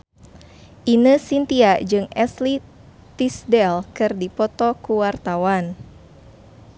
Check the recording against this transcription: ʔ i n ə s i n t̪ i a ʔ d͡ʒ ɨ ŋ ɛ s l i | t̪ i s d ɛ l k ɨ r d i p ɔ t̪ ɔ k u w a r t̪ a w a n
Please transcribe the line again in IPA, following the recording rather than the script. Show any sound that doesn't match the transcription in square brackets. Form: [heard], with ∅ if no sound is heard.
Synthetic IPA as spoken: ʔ i n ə s i n t̪ i a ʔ d͡ʒ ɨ ŋ ɛ s l i | t̪ i s d ɛ l k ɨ r d i p ɔ t̪ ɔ k u w a r t̪ a w a n